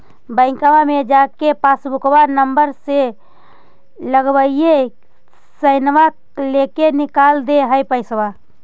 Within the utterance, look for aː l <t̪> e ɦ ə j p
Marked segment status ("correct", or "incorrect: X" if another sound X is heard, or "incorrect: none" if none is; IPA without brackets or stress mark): incorrect: d̪